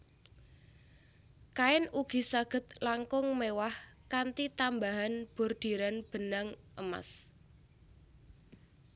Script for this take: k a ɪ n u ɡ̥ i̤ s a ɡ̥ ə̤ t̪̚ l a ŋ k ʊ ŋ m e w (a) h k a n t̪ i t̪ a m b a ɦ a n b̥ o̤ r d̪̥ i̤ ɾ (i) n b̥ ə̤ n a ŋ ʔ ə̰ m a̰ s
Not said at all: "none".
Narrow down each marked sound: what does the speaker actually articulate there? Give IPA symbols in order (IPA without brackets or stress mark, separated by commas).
a, a